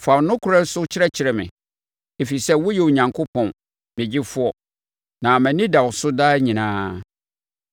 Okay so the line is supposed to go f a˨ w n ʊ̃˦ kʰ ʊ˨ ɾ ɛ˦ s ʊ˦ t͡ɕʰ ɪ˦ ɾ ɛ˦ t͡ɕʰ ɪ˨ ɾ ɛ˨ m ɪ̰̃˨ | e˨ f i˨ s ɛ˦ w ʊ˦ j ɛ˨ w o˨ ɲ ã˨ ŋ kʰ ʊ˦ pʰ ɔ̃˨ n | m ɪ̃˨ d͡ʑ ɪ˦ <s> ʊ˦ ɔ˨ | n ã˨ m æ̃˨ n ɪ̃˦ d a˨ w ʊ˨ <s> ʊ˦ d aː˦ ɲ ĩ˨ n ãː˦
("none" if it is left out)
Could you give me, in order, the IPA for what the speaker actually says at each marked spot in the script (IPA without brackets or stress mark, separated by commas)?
f, s